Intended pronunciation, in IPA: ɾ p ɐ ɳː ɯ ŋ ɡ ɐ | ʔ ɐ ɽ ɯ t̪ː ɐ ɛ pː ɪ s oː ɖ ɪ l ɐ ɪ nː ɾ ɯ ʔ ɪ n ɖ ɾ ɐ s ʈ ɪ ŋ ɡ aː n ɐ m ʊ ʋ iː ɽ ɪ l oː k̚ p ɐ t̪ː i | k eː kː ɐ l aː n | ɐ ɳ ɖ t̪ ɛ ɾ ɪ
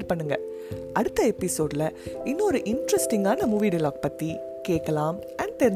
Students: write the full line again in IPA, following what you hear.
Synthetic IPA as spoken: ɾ p ɐ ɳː ɯ ŋ ɡ ɐ | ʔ ɐ ɽ ɯ t̪ː ɐ ɛ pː ɪ s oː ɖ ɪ l ɐ ɪ nː ɾ ɯ ʔ ɪ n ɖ ɾ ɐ s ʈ ɪ ŋ ɡ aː n ɐ m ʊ ʋ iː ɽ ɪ l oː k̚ p ɐ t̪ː i | k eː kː ɐ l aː m | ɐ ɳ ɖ t̪ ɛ ɾ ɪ